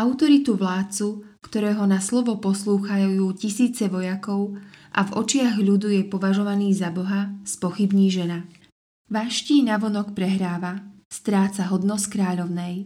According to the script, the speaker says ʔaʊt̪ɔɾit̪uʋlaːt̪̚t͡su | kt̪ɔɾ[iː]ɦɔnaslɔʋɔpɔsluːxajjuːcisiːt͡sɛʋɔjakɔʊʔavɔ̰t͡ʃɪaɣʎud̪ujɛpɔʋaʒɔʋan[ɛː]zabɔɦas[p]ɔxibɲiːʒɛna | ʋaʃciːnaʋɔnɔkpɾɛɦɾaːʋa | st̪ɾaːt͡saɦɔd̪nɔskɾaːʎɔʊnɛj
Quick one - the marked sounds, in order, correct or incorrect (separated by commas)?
incorrect, incorrect, correct